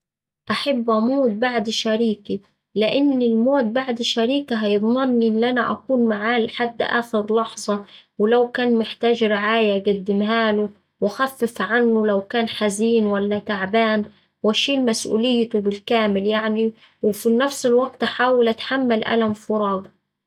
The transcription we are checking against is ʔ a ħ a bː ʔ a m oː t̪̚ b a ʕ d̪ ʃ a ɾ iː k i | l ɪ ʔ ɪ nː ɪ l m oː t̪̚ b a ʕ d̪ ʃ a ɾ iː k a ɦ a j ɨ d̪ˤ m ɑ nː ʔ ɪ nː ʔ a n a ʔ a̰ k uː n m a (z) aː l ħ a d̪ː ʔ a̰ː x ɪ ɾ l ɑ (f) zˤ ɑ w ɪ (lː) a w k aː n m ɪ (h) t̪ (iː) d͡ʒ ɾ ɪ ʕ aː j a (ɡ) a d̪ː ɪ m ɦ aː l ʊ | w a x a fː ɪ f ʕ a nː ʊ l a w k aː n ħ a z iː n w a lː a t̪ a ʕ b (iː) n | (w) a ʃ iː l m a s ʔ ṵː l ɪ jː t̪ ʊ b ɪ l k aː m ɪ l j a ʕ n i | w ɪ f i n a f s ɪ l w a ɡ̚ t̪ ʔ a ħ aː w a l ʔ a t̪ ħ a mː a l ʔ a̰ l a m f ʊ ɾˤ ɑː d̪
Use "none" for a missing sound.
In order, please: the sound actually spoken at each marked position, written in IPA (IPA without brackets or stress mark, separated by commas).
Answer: ʕ, ħ, l, ħ, aː, ɡ, aː, w